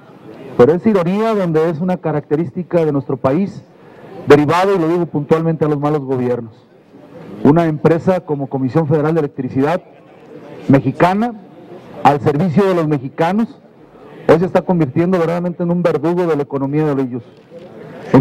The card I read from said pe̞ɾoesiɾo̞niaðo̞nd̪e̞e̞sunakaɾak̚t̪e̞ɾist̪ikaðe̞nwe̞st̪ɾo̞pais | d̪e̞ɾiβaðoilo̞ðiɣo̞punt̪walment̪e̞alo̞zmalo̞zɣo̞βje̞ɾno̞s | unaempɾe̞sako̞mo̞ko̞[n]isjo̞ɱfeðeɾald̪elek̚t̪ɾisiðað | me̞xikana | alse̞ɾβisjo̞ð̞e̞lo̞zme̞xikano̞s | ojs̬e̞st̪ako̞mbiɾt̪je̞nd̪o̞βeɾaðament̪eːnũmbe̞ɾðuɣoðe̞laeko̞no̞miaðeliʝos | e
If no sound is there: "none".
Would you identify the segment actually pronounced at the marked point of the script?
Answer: m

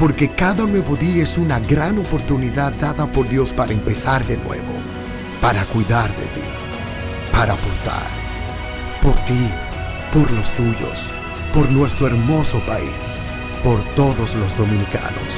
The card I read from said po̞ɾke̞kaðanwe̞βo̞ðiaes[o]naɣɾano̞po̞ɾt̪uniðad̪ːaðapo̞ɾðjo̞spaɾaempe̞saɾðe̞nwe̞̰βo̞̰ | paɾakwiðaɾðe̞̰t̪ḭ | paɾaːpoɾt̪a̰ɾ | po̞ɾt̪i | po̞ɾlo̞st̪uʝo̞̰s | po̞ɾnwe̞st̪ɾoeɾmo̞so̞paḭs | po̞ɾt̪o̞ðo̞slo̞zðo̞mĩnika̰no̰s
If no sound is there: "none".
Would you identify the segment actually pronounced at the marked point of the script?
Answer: u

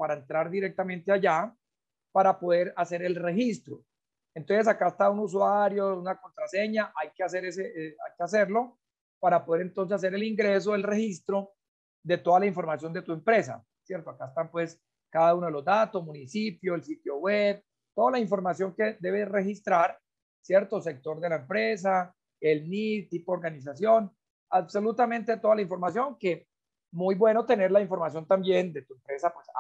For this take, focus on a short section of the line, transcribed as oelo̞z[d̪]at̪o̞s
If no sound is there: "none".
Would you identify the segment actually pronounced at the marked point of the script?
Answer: d̪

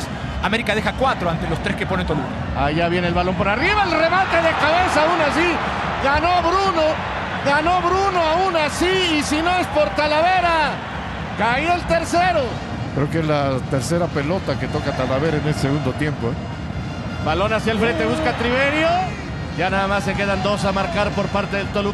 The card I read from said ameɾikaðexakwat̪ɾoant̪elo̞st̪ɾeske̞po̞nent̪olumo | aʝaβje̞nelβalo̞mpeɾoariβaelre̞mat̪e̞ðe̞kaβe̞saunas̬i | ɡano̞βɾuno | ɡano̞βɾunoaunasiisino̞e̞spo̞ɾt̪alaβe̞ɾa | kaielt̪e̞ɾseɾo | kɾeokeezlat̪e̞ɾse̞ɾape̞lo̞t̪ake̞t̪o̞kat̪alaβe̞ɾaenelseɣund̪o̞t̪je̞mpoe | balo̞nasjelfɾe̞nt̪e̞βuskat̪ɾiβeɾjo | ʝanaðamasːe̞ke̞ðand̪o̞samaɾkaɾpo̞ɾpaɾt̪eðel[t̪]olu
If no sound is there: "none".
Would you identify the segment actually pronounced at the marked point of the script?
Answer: t̪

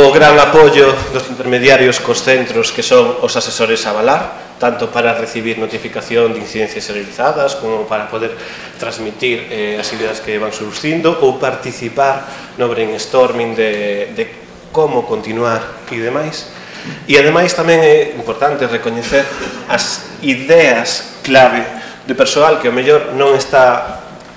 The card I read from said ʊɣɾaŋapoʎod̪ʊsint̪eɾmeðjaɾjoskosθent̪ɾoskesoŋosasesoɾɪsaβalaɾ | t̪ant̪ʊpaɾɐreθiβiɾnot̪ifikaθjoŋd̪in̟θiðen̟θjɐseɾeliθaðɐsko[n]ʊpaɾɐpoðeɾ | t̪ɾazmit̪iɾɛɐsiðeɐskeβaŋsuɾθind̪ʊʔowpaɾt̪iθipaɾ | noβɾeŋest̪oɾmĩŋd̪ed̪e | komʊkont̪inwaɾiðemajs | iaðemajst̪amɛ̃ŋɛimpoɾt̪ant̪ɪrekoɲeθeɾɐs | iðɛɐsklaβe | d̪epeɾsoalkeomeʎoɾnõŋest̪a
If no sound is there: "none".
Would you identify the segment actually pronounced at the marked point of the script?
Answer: m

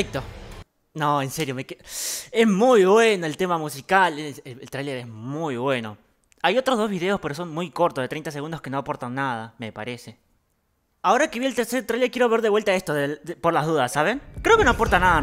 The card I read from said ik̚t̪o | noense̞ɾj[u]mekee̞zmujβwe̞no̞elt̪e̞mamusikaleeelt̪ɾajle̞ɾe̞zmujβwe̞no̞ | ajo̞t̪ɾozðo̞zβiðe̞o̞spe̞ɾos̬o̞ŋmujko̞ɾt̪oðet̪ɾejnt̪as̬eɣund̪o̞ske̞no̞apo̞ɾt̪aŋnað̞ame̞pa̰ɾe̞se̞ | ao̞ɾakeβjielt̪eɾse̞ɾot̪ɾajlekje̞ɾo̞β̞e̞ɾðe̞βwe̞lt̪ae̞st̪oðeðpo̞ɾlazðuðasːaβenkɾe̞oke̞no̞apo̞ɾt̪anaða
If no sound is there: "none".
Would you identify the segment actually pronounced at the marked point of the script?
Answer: o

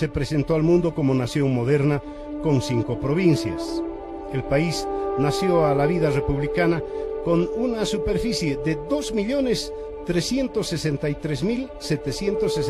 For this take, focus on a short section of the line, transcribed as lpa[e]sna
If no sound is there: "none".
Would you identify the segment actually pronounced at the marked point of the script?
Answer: i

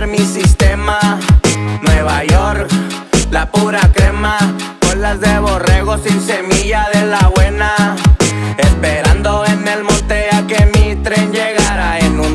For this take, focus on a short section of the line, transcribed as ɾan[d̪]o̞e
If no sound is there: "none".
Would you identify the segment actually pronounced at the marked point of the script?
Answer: d̪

